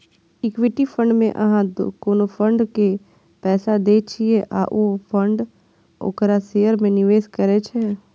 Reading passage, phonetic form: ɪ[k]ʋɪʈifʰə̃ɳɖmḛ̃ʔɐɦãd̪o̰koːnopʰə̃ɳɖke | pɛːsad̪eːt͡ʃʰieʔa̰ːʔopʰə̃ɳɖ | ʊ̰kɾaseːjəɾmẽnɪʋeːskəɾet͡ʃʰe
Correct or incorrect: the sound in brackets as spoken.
correct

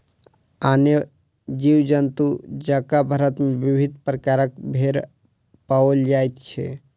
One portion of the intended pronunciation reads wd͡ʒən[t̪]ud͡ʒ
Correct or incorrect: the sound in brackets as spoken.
correct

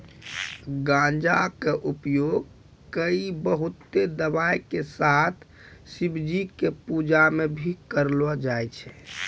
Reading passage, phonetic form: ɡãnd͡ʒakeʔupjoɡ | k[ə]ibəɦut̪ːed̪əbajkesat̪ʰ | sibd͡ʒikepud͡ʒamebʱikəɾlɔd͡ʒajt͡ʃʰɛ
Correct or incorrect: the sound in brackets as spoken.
correct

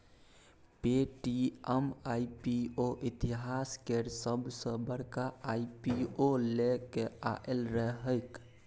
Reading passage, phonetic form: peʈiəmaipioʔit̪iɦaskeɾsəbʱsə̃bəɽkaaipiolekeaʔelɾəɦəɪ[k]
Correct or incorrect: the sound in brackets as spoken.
correct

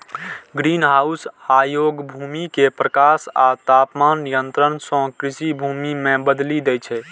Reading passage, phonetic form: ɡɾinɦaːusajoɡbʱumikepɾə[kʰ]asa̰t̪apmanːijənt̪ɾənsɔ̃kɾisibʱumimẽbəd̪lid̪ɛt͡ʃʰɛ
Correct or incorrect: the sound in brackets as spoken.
incorrect: k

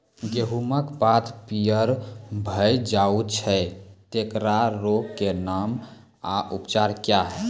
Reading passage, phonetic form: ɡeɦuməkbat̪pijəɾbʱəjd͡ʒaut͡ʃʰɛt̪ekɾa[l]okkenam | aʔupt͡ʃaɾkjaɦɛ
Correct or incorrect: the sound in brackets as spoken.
incorrect: ɾ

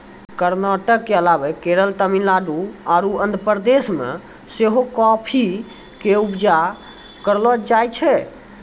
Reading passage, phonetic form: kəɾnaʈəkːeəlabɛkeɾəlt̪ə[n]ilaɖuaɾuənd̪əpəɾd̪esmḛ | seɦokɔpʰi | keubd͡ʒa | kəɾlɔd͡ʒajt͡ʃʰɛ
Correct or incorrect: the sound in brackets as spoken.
incorrect: m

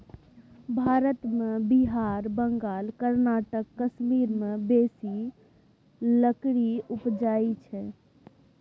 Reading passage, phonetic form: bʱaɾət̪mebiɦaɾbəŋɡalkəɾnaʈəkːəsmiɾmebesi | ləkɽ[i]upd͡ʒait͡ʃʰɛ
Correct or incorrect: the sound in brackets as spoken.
correct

